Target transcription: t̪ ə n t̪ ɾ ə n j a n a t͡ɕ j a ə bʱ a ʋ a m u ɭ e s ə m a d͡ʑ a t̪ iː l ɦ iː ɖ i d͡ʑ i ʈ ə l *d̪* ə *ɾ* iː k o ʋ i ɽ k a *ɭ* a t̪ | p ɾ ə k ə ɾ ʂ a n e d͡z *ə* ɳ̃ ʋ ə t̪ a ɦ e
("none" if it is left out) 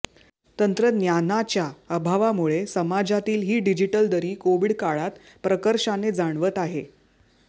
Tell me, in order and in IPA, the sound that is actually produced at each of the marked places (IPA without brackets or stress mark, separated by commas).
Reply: d̪, ɾ, ɭ, a